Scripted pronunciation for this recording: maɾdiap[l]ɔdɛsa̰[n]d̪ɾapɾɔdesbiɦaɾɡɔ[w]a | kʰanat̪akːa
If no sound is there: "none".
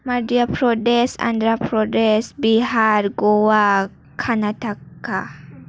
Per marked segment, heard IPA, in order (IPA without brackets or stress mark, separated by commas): ɾ, n, w